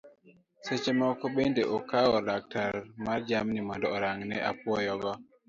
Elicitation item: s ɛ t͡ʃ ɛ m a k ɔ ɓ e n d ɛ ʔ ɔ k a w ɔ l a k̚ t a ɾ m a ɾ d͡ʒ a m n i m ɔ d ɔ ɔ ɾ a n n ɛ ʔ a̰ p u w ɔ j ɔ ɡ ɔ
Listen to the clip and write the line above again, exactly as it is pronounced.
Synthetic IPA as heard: s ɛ t͡ʃ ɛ m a k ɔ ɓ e n d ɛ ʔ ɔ k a w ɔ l a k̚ t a ɾ m a ɾ d͡ʒ a m n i m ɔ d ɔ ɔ ɾ a ŋ n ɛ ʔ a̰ p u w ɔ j ɔ ɡ ɔ